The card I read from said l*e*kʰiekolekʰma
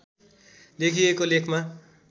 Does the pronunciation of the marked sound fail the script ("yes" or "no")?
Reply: no